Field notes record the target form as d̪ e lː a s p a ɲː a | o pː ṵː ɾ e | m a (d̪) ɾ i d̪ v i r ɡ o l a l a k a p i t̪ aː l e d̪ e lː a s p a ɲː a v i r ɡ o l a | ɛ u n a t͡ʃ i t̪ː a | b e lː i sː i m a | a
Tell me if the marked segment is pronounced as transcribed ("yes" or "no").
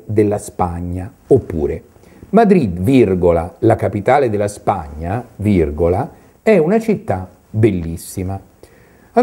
yes